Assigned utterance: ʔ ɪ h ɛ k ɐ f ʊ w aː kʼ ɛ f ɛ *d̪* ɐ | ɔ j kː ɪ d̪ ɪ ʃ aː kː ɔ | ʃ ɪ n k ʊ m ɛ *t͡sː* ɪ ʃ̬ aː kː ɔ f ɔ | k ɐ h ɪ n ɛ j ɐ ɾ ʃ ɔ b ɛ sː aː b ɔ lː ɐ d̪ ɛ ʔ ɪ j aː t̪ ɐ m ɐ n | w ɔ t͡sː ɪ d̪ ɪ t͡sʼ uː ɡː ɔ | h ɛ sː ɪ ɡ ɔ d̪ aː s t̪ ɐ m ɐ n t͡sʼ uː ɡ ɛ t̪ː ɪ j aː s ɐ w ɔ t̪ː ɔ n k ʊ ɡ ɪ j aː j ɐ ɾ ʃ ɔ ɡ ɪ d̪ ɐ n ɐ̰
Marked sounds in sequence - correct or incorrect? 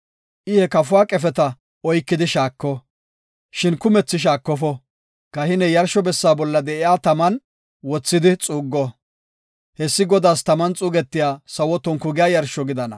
incorrect: t̪, correct

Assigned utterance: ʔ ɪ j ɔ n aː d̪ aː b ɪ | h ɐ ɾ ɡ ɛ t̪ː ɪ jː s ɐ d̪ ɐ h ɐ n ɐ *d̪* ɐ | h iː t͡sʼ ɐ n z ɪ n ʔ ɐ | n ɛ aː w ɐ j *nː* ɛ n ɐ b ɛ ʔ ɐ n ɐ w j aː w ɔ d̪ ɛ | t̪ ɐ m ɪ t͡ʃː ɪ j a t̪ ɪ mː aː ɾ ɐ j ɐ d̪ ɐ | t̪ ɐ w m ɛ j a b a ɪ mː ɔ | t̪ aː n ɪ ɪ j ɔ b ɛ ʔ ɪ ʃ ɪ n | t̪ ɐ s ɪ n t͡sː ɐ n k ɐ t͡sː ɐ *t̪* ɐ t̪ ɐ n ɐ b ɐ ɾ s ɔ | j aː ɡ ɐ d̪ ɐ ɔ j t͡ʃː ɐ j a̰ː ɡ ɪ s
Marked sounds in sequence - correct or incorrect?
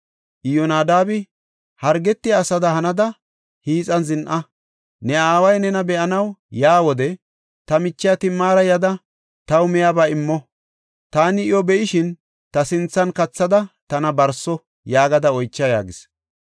correct, incorrect: n, incorrect: d̪

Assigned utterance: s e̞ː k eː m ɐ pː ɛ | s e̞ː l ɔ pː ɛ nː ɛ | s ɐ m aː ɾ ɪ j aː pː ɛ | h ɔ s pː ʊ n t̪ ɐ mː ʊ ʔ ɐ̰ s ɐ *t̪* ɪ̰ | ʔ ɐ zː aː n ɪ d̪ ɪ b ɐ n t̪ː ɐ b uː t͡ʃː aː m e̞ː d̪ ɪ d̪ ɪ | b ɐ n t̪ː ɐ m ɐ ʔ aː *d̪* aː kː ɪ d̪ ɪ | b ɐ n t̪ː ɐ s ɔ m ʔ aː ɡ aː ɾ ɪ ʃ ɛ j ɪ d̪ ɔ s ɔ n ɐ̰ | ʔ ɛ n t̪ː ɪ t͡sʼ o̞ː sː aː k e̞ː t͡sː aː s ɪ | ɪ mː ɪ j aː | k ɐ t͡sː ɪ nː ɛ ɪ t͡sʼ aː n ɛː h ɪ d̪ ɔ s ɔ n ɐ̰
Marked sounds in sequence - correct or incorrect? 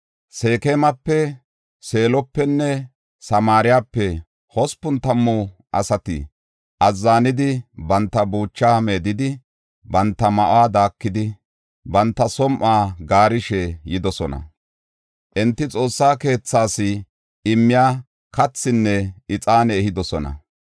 correct, correct

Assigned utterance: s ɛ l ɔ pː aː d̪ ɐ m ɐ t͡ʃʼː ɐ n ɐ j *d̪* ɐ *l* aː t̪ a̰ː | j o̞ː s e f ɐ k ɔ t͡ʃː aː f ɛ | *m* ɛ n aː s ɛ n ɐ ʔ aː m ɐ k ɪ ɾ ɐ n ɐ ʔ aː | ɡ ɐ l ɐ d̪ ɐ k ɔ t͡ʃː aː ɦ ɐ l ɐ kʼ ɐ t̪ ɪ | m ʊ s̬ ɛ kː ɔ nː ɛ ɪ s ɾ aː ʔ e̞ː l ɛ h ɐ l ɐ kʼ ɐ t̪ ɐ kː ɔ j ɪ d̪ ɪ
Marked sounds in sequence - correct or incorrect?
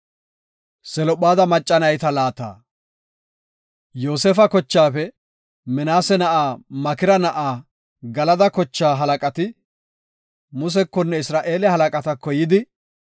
incorrect: t̪, correct, correct

